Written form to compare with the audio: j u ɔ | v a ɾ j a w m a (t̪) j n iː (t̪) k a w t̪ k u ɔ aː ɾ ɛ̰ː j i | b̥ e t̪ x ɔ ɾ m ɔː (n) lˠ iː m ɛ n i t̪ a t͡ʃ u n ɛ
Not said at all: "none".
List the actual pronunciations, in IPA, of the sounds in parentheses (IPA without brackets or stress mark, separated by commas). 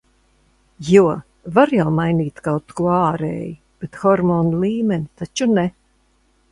none, t̪, n